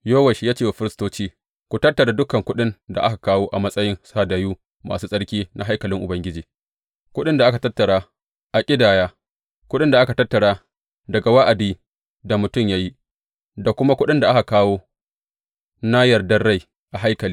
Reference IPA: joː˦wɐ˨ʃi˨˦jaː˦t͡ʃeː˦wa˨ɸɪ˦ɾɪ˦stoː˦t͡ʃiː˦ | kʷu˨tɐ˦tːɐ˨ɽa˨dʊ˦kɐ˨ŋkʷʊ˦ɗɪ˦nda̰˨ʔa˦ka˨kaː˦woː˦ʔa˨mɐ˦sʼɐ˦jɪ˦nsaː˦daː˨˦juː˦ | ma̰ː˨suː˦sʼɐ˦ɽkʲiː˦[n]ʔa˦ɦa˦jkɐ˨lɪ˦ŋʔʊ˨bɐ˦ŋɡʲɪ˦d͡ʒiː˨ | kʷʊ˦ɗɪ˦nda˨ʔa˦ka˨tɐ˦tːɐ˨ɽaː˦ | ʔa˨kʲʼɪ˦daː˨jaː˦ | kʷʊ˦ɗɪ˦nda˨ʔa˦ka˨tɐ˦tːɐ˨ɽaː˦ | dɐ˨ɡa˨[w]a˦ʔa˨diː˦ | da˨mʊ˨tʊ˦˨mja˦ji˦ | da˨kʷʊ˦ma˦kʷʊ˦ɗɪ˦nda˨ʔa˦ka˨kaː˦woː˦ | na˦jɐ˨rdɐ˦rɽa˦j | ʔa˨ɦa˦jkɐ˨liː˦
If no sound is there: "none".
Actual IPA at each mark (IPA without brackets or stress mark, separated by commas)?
n, w